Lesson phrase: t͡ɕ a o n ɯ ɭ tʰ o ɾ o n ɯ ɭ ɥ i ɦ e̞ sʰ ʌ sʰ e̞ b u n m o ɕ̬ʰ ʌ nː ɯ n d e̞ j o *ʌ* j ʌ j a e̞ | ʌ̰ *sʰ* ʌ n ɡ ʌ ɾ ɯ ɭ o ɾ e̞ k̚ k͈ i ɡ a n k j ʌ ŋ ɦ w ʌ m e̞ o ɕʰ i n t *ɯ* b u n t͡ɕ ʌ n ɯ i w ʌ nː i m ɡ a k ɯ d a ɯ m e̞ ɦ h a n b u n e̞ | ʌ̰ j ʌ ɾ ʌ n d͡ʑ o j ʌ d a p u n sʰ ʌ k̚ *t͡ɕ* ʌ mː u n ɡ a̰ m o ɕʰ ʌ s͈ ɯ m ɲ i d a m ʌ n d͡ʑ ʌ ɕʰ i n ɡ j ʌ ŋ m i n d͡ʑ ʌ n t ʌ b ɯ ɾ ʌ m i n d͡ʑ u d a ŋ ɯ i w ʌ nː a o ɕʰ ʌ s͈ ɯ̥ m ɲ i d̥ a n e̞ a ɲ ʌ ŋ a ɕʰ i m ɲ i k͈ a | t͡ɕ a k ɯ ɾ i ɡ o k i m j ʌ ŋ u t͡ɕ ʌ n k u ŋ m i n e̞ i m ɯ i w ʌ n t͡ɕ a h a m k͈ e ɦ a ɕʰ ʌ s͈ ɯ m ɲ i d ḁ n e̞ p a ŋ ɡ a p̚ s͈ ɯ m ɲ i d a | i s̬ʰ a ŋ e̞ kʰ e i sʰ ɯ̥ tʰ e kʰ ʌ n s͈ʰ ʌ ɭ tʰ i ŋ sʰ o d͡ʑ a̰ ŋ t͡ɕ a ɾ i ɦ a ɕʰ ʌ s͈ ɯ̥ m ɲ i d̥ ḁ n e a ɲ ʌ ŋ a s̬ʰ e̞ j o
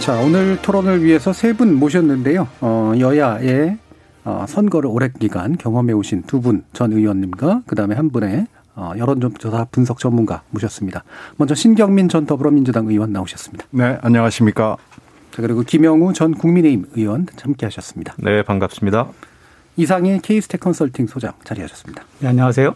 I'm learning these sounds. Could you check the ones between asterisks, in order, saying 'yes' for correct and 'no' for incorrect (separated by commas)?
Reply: yes, yes, no, yes